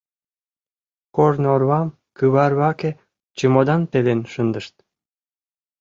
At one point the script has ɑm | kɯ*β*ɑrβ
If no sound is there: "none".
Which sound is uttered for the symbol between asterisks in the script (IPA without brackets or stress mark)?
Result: β